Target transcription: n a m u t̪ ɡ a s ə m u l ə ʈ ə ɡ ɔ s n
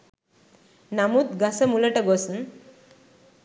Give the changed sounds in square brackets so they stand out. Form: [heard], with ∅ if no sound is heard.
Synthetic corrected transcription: n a m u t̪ ɡ a s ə m u l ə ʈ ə ɡ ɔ s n